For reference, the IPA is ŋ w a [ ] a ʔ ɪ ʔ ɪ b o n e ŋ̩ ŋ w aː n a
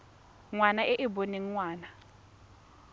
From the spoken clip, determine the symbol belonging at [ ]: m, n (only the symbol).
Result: n